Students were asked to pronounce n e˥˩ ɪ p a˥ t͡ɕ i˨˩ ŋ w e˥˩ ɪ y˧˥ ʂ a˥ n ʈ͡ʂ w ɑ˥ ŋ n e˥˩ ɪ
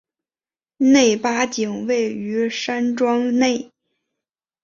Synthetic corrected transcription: n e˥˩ ɪ p a˥ t͡ɕ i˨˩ ŋ w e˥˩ ɪ y˧˥ ʂ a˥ n ʈ͡ʂ w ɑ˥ ŋ n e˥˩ ɪ